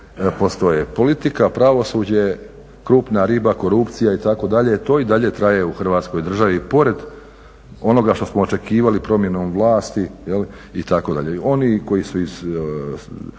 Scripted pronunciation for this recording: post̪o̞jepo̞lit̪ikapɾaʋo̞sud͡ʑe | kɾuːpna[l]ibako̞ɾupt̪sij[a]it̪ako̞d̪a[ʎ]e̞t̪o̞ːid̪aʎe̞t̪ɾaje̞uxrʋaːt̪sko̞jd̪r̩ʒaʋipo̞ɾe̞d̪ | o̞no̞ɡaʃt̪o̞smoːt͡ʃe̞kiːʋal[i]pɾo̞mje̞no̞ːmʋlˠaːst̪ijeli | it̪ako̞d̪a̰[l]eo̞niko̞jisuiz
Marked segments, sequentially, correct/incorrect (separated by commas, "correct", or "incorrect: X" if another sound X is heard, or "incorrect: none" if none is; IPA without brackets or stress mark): incorrect: ɾ, correct, correct, correct, incorrect: ʎ